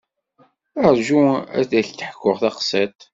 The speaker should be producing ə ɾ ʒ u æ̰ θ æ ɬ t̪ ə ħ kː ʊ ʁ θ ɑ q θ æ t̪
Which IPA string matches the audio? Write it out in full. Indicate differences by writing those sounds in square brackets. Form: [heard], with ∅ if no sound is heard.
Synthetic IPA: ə ɾ ʒ u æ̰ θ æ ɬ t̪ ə ħ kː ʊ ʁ θ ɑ q [s] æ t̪

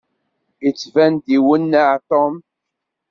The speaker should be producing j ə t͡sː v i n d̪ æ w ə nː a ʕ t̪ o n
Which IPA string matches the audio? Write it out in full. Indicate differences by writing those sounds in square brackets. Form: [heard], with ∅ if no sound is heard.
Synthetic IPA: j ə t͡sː v [æ] n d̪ [i] w ə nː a ʕ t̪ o [m]

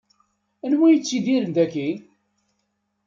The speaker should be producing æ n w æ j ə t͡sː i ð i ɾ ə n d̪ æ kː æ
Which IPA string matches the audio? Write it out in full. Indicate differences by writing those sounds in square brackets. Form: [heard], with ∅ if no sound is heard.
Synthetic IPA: æ n w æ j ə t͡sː i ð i ɾ ə n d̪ æ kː [i]

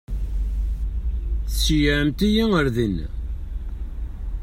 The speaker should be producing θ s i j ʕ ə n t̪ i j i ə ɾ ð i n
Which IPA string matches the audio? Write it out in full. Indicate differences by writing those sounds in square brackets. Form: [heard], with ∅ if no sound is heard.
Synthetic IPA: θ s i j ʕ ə [m] t̪ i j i ə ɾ ð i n

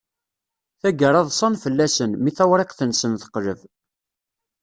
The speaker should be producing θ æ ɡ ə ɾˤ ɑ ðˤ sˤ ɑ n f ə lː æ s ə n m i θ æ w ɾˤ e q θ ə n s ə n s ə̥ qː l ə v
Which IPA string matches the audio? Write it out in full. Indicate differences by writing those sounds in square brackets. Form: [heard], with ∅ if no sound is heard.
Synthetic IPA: θ æ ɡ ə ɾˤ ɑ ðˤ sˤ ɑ n f ə lː æ s ə n m i θ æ w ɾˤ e q θ ə n s ə n [θ] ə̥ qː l ə v

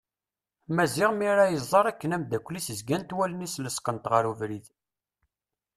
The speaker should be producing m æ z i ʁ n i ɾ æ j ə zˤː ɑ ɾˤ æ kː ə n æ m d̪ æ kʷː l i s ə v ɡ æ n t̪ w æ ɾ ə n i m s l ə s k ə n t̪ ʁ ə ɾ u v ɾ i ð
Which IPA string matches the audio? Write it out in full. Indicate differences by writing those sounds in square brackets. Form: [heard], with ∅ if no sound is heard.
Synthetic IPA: m æ z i ʁ [m] i ɾ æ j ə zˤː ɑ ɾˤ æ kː ə n æ m d̪ æ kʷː l i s ə [z] ɡ æ n t̪ w æ [l] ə n i [∅] s l ə s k ə n t̪ ʁ ə ɾ u v ɾ i ð

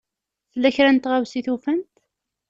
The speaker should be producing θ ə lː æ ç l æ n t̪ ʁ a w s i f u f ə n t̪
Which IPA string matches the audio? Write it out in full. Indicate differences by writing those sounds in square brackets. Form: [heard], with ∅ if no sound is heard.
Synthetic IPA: θ ə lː æ ç [ɾ] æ n t̪ ʁ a w s i [θ] u f ə n t̪

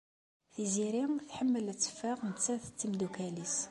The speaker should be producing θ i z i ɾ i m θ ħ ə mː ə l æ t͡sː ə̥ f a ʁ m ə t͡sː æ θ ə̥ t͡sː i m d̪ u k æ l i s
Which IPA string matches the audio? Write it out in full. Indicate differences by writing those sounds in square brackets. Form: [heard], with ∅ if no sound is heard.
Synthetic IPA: θ i z i ɾ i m θ ħ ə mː ə l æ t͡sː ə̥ f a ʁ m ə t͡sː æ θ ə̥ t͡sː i m d̪ u k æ l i s

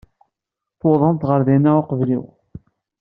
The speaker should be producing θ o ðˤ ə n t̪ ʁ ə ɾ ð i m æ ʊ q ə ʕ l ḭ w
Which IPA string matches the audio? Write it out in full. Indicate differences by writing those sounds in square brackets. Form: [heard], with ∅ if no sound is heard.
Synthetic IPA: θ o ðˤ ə n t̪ ʁ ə ɾ ð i [n] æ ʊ q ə [v] l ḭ w

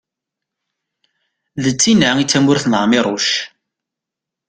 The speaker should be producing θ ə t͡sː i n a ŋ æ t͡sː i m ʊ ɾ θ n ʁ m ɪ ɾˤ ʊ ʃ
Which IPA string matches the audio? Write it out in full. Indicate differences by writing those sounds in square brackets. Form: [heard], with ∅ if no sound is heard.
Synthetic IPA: [ð] ə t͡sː i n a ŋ [i] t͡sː [æ] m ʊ ɾ θ n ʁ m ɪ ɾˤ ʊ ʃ

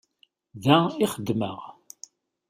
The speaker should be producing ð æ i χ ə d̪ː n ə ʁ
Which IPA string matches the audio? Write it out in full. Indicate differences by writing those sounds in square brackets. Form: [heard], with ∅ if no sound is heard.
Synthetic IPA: ð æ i χ ə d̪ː [m] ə ʁ

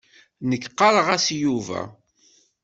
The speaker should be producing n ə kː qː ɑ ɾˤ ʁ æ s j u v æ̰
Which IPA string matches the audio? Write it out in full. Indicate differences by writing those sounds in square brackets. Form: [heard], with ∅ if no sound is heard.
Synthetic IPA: n ə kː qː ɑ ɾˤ ʁ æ s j u v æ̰

